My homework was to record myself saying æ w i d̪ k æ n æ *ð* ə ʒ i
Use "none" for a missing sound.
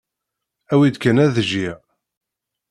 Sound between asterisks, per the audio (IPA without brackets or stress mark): ð